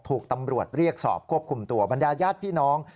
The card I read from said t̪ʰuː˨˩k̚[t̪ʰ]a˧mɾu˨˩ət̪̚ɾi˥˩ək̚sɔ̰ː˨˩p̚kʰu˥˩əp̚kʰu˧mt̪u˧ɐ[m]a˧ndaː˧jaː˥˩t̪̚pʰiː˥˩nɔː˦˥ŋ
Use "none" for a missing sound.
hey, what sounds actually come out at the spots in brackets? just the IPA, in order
t̪, b

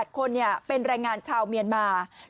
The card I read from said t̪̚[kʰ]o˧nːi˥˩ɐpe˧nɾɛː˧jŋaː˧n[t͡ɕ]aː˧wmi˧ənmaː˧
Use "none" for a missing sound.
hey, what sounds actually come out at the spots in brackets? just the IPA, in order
kʰ, t͡ɕʰ

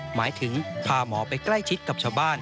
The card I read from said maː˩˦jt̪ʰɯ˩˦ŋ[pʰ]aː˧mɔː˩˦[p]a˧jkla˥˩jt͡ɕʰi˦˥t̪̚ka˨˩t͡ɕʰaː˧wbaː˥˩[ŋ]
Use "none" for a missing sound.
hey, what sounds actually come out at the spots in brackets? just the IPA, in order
pʰ, p, n

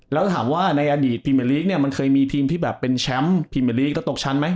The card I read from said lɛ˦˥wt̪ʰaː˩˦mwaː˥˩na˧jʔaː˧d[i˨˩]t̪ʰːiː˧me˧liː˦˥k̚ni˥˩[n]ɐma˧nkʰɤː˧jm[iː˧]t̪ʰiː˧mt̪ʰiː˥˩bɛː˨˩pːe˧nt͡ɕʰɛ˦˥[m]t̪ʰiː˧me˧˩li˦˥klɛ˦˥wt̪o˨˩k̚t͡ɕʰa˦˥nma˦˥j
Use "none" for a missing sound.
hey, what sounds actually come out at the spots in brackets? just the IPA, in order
iː˨˩, none, iː˧, m

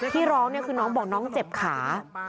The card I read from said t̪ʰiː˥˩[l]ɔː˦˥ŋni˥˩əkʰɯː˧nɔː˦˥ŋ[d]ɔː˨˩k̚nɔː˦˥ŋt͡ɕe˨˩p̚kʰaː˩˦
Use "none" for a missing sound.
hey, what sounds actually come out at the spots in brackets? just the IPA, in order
ɾ, b

